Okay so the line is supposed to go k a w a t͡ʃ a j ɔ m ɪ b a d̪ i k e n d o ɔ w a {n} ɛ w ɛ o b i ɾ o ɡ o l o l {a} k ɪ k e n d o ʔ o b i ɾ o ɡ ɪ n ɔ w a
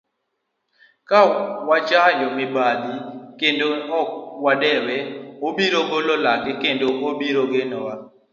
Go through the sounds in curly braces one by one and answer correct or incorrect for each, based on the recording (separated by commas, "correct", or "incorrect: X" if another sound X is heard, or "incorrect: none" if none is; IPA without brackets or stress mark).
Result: incorrect: d, correct